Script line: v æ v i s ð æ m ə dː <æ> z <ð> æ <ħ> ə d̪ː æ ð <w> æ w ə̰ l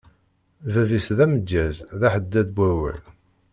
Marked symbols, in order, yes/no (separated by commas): yes, yes, yes, no